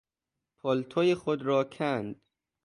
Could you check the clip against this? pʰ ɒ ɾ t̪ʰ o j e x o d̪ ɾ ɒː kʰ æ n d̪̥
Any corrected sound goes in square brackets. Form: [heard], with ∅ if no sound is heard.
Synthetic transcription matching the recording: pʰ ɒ [l] t̪ʰ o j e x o d̪ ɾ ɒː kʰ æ n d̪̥